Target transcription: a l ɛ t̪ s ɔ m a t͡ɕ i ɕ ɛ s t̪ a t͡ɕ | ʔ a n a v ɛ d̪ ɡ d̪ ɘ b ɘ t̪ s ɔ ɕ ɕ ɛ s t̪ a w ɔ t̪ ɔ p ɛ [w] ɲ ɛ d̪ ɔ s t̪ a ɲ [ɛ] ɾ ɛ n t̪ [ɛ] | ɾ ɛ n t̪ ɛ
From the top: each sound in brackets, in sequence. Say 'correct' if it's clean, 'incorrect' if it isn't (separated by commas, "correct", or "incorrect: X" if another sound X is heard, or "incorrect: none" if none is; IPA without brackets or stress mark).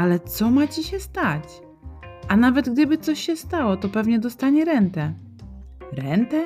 incorrect: v, correct, correct